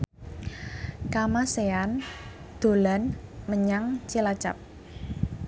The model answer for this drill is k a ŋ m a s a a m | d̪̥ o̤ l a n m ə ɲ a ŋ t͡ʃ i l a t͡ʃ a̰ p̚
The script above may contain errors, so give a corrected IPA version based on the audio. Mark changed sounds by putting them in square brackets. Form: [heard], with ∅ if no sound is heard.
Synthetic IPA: k a [∅] m a s [e] a [n] | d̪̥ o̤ l a n m ə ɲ a ŋ t͡ʃ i l a t͡ʃ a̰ p̚